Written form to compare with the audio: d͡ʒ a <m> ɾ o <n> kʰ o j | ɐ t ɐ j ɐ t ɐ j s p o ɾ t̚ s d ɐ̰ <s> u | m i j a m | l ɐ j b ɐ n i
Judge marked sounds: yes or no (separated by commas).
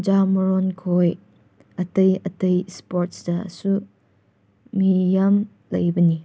yes, yes, yes